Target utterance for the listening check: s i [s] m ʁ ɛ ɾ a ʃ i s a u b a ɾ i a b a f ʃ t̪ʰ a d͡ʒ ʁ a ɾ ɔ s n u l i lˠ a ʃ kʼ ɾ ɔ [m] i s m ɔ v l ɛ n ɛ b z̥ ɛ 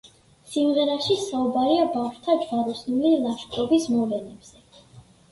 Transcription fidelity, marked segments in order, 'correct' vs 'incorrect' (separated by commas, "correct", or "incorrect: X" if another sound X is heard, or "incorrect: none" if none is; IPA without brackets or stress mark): incorrect: none, incorrect: b